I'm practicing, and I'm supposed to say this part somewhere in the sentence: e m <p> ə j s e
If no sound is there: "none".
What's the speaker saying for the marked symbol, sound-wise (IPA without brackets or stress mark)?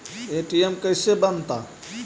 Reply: k